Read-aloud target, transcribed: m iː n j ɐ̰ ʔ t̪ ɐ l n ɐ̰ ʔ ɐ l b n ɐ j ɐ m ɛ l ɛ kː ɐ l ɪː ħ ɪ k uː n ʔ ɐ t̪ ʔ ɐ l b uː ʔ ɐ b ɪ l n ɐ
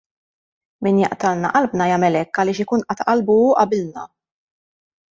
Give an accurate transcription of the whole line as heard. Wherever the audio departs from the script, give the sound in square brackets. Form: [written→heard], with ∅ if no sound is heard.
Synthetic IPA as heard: m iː n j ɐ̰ ʔ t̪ ɐ l n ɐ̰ ʔ ɐ l b n ɐ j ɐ m ɛ l ɛ kː ɐ l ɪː [ħ→ʃ] ɪ k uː n ʔ ɐ t̪ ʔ ɐ l b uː ʔ ɐ b ɪ l n ɐ